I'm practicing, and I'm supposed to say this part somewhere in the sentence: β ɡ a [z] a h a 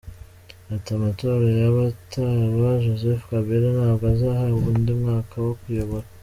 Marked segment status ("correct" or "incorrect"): correct